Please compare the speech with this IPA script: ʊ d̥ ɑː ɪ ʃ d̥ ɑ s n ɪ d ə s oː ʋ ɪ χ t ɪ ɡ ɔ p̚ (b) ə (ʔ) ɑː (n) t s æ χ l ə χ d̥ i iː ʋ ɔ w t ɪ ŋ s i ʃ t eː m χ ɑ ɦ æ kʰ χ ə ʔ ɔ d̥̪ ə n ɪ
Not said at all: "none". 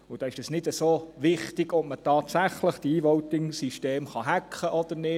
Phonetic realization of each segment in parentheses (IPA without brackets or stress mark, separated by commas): m, t, none